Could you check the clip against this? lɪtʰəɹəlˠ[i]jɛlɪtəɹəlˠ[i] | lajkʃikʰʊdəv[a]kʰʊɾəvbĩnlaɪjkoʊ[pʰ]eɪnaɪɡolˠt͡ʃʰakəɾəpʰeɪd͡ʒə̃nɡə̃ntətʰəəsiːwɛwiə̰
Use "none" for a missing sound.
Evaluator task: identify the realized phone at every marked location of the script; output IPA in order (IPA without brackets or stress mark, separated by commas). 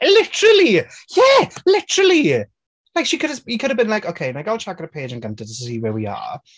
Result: i, i, i, kʰ